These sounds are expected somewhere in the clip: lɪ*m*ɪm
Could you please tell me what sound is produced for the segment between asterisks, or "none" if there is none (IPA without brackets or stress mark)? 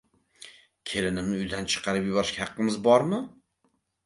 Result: n